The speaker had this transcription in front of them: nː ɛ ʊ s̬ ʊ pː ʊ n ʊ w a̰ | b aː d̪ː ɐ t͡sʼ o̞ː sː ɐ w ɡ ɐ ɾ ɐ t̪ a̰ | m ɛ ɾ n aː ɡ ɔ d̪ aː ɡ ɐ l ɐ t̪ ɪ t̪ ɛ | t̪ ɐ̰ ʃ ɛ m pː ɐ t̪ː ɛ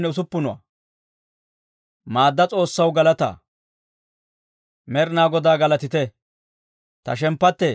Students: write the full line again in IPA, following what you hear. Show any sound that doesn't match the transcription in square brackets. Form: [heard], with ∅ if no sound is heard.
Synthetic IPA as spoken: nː ɛ ʊ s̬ ʊ pː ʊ n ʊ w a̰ | [m] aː d̪ː ɐ t͡sʼ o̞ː sː ɐ w ɡ ɐ [l] ɐ t̪ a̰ | m ɛ ɾ n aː ɡ ɔ d̪ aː ɡ ɐ l ɐ t̪ ɪ t̪ ɛ | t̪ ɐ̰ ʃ ɛ m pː ɐ t̪ː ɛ